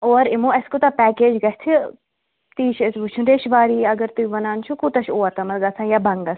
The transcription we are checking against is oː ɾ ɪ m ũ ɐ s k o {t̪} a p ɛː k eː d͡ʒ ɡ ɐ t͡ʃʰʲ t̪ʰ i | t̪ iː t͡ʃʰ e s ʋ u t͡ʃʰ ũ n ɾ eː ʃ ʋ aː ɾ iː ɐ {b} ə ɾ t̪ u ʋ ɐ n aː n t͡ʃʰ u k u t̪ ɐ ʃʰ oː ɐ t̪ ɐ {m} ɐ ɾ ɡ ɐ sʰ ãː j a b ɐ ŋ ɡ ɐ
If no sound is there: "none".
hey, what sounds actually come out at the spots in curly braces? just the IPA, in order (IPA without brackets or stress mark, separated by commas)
t̪, ɡ, m